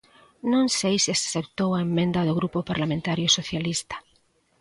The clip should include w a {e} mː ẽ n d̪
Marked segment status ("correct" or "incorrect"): correct